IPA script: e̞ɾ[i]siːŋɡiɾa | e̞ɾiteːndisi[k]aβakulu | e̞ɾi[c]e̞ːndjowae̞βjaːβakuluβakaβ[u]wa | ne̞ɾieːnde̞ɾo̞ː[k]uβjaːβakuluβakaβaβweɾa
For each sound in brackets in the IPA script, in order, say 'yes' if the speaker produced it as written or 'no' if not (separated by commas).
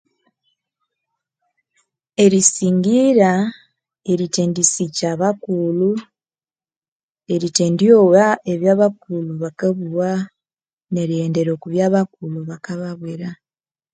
yes, no, no, yes, yes